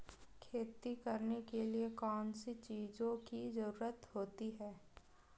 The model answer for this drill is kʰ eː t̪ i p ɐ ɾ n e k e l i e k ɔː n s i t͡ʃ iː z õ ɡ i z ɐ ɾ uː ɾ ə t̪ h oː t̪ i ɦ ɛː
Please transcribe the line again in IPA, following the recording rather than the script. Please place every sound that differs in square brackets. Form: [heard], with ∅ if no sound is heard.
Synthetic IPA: kʰ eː t̪ i [k] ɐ ɾ n e k e l i e k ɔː n s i t͡ʃ iː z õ [k] i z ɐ ɾ uː ɾ ə t̪ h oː t̪ i ɦ ɛː